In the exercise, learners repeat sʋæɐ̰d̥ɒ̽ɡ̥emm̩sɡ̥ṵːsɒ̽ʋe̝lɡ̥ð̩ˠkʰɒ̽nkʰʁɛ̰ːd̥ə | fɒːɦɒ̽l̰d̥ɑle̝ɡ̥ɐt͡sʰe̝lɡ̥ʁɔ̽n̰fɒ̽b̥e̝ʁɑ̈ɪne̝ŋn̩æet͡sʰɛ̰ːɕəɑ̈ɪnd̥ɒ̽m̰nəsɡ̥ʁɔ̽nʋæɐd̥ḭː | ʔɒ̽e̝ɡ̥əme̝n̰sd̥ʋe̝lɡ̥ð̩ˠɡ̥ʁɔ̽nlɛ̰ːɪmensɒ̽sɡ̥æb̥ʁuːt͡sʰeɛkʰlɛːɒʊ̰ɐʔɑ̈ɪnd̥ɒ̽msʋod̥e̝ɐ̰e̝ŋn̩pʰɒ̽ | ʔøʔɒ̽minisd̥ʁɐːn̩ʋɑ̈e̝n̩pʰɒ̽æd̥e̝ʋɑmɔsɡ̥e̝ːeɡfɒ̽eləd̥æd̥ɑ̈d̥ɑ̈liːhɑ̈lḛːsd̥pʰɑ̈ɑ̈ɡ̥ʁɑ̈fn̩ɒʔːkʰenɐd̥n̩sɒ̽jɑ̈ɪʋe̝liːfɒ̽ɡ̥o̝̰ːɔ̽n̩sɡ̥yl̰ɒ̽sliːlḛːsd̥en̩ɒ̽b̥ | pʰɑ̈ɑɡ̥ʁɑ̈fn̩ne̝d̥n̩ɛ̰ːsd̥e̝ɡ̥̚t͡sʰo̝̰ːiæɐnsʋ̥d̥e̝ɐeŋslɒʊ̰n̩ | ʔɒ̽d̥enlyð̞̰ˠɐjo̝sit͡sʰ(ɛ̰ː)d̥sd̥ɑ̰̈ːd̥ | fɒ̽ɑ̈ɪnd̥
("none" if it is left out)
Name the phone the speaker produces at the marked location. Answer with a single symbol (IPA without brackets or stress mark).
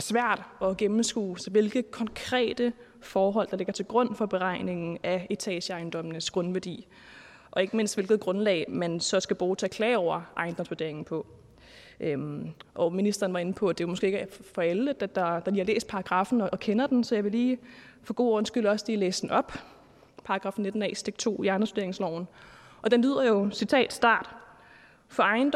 ɛ̰ː